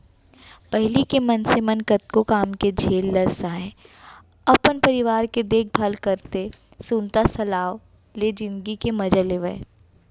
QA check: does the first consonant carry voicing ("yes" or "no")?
no